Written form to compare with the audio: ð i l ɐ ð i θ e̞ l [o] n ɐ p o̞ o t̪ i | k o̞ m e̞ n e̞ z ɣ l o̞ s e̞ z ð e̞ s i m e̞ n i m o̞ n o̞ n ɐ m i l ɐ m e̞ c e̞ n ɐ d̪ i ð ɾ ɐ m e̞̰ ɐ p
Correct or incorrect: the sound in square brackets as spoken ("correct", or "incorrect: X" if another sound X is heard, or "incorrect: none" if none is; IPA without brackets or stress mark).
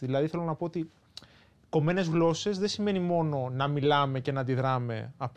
correct